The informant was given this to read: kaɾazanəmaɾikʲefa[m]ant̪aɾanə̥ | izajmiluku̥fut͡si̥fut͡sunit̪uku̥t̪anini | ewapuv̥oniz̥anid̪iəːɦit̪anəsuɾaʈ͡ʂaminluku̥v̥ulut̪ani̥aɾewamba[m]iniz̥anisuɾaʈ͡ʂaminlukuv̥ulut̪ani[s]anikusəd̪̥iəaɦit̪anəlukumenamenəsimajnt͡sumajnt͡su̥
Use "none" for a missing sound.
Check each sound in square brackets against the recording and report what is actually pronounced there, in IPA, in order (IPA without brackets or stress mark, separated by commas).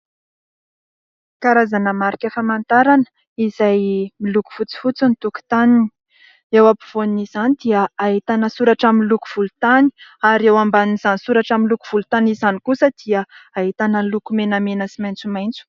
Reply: m, n, z